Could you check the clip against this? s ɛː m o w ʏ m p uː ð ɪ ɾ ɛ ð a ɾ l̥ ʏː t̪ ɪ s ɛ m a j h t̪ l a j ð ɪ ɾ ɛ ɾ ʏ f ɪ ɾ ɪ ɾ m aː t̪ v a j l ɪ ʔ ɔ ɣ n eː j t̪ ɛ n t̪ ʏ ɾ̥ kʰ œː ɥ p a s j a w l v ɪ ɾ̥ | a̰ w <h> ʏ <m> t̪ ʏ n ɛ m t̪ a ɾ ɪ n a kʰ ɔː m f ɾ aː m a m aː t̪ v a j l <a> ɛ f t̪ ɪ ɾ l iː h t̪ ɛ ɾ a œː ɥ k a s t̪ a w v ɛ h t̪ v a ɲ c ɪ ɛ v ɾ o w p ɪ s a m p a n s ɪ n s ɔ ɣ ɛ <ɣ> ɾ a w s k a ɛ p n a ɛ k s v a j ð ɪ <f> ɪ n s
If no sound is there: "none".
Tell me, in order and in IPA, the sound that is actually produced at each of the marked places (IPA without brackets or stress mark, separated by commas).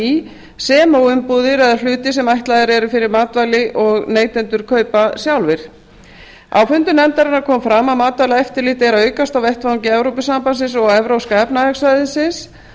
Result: f, n, a, v, s